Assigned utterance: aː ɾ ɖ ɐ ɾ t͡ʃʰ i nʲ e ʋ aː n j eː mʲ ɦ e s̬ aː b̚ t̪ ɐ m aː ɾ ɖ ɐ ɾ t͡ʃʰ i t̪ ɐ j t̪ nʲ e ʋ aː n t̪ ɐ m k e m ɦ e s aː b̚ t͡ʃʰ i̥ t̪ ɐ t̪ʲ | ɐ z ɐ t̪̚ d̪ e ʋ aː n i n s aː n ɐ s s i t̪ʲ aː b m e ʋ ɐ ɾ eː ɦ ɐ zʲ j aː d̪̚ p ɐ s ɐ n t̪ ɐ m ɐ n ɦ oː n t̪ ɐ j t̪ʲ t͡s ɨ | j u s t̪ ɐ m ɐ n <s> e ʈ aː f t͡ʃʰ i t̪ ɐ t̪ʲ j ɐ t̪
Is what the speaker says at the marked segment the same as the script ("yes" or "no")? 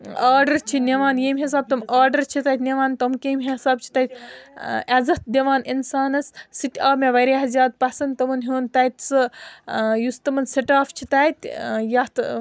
yes